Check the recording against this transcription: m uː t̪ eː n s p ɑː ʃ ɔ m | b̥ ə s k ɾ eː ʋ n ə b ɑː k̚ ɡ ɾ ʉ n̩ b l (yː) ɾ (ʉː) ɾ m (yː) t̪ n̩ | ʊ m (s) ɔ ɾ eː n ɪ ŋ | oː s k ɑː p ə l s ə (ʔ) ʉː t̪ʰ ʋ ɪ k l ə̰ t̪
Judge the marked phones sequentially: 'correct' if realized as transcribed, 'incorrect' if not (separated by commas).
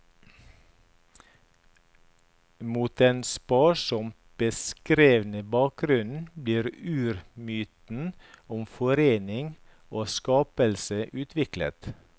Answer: incorrect, correct, correct, incorrect, correct